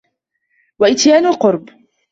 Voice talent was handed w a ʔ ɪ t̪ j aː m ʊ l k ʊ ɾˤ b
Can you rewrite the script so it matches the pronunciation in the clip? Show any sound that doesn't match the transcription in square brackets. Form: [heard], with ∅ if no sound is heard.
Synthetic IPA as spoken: w a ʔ ɪ t̪ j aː [n] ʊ l [q] ʊ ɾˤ b